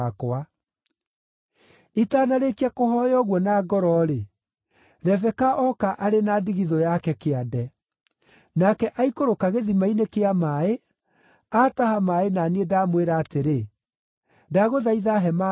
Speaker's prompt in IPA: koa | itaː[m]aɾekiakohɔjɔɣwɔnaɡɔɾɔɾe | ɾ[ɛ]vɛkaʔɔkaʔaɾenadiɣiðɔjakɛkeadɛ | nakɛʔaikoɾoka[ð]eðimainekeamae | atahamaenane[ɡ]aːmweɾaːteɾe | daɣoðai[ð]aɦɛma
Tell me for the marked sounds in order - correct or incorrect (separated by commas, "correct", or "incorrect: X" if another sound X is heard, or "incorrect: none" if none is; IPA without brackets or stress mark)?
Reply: incorrect: n, correct, incorrect: ɣ, incorrect: d, correct